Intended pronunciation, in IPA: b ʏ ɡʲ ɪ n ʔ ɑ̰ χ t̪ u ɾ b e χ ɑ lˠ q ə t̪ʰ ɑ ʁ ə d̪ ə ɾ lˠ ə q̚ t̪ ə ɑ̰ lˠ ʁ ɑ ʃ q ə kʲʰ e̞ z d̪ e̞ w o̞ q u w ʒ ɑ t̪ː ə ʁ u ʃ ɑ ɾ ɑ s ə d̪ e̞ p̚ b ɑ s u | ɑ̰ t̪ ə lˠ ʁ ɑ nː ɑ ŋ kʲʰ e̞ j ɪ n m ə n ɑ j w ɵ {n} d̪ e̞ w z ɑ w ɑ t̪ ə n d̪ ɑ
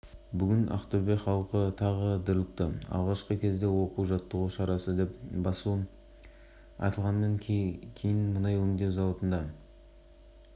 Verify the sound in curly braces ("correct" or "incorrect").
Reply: incorrect